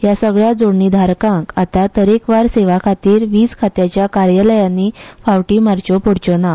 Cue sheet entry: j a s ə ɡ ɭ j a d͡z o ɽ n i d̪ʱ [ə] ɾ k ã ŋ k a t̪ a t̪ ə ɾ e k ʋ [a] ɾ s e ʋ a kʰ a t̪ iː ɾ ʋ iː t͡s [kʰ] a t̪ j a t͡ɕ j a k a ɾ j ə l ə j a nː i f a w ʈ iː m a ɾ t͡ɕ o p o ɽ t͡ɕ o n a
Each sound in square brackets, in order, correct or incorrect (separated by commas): incorrect, correct, correct